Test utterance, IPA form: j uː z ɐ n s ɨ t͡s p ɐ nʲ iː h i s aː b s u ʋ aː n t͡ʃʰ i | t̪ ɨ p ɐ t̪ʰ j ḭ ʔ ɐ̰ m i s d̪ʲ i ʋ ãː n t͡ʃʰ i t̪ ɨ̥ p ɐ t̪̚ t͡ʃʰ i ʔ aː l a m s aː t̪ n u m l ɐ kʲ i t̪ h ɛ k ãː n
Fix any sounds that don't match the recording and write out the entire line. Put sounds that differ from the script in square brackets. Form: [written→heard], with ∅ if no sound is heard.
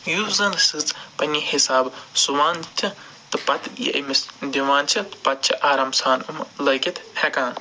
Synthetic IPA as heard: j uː z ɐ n s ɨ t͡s p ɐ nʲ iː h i s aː b s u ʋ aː n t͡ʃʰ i | t̪ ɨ p ɐ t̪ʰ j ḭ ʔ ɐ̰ m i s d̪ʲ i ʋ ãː n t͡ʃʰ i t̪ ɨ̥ p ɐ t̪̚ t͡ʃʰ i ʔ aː [l→ɾ] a m s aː [t̪→∅] n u m l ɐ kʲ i t̪ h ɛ k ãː n

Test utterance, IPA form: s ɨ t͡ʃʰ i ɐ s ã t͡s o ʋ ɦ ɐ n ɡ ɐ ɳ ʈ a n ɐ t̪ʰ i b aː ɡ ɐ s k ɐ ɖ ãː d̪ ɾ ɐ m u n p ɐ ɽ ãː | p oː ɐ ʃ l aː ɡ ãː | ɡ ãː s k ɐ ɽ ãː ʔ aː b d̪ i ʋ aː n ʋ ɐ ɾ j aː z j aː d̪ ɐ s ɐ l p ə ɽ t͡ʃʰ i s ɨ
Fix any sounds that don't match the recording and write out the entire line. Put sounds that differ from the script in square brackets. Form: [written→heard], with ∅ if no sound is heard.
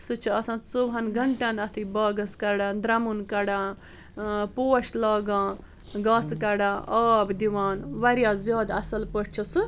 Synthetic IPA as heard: s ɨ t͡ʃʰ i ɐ s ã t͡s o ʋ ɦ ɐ n ɡ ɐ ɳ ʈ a n ɐ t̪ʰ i b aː ɡ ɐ s k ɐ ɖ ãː d̪ ɾ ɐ m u n [p→k] ɐ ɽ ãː | p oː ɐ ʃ l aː ɡ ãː | ɡ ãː s k ɐ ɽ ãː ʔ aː b d̪ i ʋ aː n ʋ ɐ ɾ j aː z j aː d̪ ɐ s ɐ l p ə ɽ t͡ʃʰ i s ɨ

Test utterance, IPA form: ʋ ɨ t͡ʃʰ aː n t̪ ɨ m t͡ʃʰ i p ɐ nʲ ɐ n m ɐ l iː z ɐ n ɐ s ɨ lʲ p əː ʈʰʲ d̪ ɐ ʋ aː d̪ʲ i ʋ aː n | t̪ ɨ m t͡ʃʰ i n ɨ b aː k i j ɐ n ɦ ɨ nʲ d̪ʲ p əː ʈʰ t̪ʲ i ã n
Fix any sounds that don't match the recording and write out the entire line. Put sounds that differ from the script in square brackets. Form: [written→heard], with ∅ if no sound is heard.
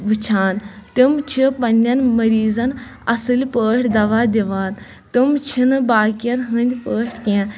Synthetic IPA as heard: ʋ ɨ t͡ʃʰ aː n t̪ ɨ m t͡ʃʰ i p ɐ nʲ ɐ n m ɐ [l→ɾ] iː z ɐ n ɐ s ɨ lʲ p əː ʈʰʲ d̪ ɐ ʋ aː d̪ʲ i ʋ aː n | t̪ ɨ m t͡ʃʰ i n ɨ b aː k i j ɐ n ɦ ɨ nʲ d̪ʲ p əː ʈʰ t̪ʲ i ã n

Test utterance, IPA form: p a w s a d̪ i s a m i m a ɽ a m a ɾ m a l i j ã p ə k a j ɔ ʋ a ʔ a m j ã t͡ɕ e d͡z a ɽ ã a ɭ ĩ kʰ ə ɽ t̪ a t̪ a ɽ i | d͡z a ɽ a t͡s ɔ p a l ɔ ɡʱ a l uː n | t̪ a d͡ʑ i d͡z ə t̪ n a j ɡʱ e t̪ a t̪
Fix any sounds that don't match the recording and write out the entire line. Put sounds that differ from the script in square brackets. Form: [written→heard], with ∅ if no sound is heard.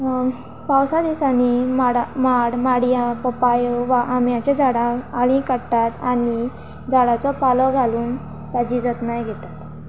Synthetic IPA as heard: p a w s a d̪ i s a [m→n] i m a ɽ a m a [ɾ→ɽ] m a [l→ɽ] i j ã p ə [k→p] a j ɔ ʋ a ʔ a m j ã t͡ɕ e d͡z a ɽ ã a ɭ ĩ [kʰ→k] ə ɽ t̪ a t̪ a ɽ i | d͡z a ɽ a t͡s ɔ p a l ɔ ɡʱ a l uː n | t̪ a d͡ʑ i d͡z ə t̪ n a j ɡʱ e t̪ a t̪

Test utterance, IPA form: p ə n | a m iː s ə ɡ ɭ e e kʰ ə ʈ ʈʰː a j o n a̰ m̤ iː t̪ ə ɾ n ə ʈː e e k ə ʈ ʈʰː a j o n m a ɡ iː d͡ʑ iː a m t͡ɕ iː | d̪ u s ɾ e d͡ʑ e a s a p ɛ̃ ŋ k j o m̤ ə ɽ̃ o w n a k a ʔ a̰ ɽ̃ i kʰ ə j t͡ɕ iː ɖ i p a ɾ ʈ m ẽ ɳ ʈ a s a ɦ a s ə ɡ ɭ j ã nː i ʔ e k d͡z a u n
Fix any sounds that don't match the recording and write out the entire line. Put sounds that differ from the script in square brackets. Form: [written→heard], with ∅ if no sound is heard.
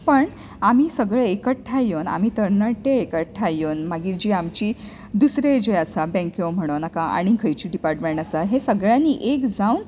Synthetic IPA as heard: p ə [n→ɳ] | a m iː s ə ɡ ɭ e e [kʰ→k] ə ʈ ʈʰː a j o n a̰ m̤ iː t̪ ə ɾ n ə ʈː e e k ə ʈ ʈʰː a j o n m a ɡ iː d͡ʑ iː a m t͡ɕ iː | d̪ u s ɾ e d͡ʑ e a s a [p→b] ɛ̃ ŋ k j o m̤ ə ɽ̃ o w n a k a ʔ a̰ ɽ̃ i kʰ ə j t͡ɕ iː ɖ i p a ɾ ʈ m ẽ ɳ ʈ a s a ɦ [a→e] s ə ɡ ɭ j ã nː i ʔ e k d͡z a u n

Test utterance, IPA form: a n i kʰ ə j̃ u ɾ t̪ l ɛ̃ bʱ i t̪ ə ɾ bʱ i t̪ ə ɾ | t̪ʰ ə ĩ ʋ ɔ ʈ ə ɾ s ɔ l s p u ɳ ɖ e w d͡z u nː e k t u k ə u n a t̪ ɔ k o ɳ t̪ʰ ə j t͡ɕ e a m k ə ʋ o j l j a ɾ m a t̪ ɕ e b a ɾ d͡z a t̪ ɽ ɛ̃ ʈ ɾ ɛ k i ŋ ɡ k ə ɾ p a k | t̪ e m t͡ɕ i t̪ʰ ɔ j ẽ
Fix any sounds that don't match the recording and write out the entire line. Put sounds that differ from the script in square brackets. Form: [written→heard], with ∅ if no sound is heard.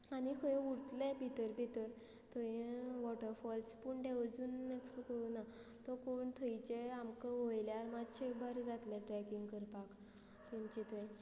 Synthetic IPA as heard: a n i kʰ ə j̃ u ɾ t̪ l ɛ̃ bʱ i t̪ ə ɾ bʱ i t̪ ə ɾ | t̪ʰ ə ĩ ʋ ɔ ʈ ə ɾ [s→f] ɔ l s p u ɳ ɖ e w d͡z u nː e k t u k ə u n a t̪ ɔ k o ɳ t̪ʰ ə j t͡ɕ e a m k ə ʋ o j l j a ɾ m a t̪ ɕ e b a ɾ d͡z a t̪ [ɽ→l] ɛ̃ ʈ ɾ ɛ k i ŋ ɡ k ə ɾ p a k | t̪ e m t͡ɕ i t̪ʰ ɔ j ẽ

